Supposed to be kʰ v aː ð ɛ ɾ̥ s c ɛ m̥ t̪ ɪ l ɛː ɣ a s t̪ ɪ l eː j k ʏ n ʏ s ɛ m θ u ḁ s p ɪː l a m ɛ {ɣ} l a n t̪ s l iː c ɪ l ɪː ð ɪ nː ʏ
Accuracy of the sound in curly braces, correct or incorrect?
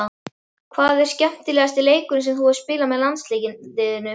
incorrect